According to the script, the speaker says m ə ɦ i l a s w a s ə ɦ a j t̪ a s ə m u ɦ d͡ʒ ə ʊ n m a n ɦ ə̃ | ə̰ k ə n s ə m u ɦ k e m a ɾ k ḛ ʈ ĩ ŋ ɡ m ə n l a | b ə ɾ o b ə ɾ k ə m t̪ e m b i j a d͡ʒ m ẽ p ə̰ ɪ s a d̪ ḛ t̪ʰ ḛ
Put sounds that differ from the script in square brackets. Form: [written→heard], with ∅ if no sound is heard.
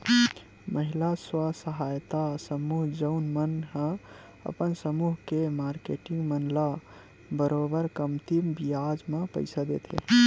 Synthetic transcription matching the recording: m ə ɦ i l a s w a s ə ɦ a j t̪ a s ə m u ɦ d͡ʒ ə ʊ n m [a→ə] n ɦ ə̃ | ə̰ [k→p] ə n s ə m u ɦ k e m a ɾ k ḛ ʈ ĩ ŋ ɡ m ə n l a | b ə ɾ o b ə ɾ k ə m t̪ [e→i] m b i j a d͡ʒ m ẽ p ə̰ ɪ s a d̪ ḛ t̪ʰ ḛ

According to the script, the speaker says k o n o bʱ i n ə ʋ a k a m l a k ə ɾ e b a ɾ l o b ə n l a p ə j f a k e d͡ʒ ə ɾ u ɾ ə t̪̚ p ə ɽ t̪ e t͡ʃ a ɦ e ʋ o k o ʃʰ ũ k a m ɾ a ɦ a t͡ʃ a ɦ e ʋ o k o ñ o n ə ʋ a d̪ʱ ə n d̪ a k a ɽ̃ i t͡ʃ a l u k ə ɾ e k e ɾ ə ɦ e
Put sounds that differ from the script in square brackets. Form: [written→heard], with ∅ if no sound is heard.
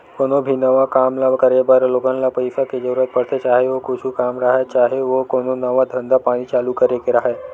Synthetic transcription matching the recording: k o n o bʱ i n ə ʋ a k a m l a k ə ɾ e b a ɾ l o [b→ɡ] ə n l a p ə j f a k e d͡ʒ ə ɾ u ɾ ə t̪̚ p ə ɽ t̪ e t͡ʃ a ɦ e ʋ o k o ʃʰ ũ k a m ɾ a ɦ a t͡ʃ a ɦ e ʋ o k o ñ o n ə ʋ a d̪ʱ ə n d̪ a [k→p] a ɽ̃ i t͡ʃ a l u k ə ɾ e k e ɾ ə ɦ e

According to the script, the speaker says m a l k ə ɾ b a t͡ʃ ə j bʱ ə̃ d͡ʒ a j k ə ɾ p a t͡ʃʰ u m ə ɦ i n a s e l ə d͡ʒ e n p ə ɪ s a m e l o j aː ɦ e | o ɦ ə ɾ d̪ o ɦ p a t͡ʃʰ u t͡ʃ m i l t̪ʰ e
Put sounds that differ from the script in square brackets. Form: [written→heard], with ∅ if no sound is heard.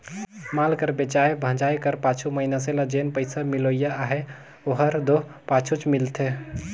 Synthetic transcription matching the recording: m a l k ə ɾ b [a→e] t͡ʃ [ə→a] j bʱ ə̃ d͡ʒ a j k ə ɾ p a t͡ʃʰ u m ə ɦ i n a s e l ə d͡ʒ e n p ə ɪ s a m [e→i] l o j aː ɦ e | o ɦ ə ɾ d̪ o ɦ p a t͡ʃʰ u t͡ʃ m i l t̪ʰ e

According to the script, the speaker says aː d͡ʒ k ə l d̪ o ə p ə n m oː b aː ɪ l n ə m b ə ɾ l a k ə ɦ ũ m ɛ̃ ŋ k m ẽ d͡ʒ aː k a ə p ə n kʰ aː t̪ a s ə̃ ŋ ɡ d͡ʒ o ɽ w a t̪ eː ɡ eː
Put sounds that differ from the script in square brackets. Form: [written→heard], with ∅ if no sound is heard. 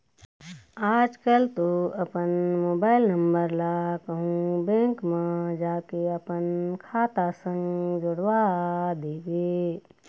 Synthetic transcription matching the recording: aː d͡ʒ k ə l [d̪→t̪] o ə p ə n m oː b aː ɪ l n ə m b ə ɾ l a k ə ɦ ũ [m→b] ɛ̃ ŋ k m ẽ d͡ʒ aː k [a→e] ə p ə n kʰ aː t̪ a s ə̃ ŋ ɡ d͡ʒ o ɽ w a [t̪→d̪] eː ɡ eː

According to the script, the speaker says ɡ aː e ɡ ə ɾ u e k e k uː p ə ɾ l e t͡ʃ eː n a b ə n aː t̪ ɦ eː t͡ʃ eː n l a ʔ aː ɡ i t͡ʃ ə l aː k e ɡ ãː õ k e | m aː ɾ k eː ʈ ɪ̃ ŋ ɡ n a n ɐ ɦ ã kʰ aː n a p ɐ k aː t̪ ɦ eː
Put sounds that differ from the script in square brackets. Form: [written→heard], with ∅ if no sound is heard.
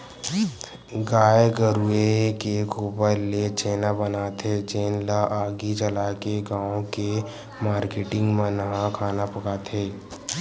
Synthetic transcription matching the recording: ɡ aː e ɡ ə ɾ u e k e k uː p ə ɾ l e t͡ʃ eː n a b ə n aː t̪ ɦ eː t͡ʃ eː n l a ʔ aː ɡ i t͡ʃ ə l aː k e ɡ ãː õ k e | m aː ɾ k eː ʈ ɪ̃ ŋ ɡ [n→m] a n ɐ ɦ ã kʰ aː n a p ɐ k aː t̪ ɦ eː

